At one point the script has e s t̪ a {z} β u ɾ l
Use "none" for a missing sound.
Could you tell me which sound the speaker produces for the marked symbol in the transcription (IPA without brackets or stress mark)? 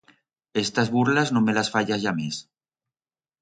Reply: z